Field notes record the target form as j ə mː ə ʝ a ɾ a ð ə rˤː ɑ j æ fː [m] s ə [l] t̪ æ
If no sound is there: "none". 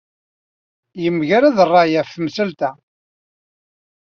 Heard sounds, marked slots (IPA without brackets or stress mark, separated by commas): m, l